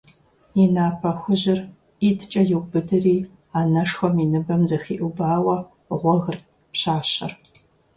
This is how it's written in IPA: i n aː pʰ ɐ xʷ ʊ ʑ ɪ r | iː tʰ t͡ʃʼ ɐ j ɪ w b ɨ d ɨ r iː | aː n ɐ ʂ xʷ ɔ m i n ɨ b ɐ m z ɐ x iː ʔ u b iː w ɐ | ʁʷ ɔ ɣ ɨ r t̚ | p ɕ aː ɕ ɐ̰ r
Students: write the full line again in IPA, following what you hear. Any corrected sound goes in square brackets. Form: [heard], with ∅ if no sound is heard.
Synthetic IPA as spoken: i n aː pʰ ɐ xʷ ʊ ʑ ɪ r | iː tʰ t͡ʃʼ ɐ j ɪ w b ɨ d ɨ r iː | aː n ɐ ʂ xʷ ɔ m i n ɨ b ɐ m z ɐ x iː ʔ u b [aː] w ɐ | ʁʷ ɔ ɣ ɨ r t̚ | p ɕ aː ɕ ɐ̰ r